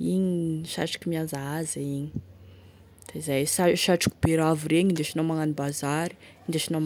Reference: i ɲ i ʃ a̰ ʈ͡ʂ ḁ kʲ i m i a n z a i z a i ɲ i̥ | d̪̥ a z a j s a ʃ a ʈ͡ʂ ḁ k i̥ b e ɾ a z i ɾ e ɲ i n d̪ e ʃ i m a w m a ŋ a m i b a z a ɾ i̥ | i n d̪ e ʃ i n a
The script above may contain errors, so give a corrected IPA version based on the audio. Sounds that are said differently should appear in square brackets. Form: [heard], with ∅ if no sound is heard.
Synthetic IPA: i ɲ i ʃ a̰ ʈ͡ʂ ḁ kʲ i m i a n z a [a] z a i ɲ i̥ | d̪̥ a z a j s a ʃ a ʈ͡ʂ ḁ k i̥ b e ɾ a [v] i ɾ e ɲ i n d̪ e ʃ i [n] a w m a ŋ a [n] i b a z a ɾ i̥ | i n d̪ e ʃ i n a